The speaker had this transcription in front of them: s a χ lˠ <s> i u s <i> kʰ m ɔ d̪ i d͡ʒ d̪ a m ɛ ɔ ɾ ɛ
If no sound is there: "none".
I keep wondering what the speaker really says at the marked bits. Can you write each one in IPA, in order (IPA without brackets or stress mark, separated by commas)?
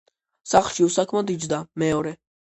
ʃ, a